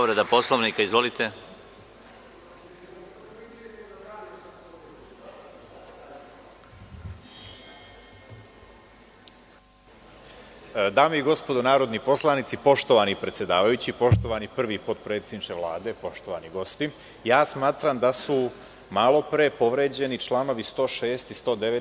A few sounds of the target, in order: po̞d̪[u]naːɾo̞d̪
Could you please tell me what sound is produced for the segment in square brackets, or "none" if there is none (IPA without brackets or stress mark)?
o